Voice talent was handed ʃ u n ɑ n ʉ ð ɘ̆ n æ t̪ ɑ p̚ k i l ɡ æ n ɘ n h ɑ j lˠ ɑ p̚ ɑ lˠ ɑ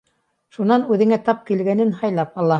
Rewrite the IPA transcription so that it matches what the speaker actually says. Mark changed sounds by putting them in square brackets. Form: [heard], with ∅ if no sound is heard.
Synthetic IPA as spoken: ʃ u n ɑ n ʉ ð ɘ̆ [ŋ] æ t̪ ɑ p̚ k i l ɡ æ n ɘ n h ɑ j lˠ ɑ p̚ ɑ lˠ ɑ